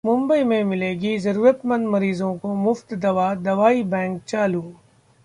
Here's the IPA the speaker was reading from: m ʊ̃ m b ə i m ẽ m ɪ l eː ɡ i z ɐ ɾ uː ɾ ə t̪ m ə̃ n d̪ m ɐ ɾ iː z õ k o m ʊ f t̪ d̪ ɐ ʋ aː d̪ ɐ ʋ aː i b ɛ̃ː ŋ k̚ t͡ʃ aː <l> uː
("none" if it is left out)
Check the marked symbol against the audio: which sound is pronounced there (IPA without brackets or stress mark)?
l